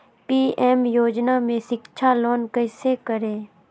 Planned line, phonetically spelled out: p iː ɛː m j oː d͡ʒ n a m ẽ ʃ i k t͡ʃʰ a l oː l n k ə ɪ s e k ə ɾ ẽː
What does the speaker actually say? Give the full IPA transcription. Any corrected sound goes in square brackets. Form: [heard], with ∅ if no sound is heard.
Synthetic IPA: p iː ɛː m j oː d͡ʒ n a m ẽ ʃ [ɪ] k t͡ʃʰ a l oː [∅] n k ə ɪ s e k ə ɾ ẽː